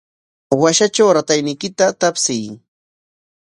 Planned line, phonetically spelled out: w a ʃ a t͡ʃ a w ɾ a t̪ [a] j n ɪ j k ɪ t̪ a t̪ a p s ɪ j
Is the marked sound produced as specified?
yes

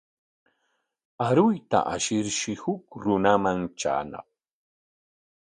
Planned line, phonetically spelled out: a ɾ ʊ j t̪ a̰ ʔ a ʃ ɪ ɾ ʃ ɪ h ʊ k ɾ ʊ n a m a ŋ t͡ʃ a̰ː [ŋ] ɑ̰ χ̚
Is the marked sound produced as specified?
no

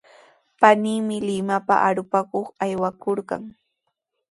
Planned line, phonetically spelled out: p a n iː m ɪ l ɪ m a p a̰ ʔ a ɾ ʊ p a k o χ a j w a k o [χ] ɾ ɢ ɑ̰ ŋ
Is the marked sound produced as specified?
no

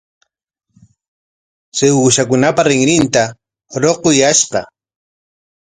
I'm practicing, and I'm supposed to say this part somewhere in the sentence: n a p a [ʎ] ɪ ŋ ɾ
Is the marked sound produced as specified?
no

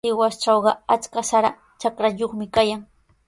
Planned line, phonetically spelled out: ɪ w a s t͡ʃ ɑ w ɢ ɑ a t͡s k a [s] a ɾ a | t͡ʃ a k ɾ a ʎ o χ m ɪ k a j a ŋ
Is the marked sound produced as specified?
yes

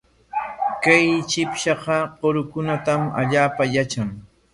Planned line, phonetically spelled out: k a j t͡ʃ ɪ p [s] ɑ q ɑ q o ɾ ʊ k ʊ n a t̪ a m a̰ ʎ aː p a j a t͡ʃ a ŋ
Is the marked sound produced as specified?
no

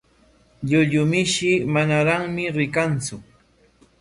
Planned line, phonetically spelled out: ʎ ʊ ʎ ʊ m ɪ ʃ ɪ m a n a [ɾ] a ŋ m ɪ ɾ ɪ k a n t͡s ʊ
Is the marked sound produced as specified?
yes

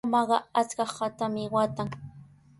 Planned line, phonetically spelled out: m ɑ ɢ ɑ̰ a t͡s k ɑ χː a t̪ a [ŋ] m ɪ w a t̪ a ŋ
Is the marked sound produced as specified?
no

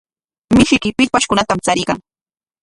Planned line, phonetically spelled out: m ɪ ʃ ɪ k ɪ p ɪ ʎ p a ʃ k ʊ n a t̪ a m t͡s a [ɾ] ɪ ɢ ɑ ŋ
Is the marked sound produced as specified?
yes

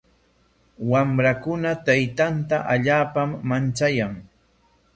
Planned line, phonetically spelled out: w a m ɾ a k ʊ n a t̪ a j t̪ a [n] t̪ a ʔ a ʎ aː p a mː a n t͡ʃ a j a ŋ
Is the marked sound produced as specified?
yes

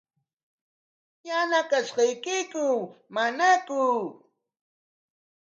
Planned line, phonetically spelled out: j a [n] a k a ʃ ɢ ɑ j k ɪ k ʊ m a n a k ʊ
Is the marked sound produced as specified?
yes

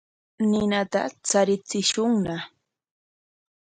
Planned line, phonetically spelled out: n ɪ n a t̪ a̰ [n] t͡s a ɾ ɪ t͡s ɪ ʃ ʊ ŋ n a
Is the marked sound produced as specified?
no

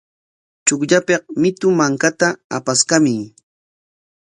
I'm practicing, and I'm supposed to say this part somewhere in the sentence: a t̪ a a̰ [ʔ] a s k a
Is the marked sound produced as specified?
no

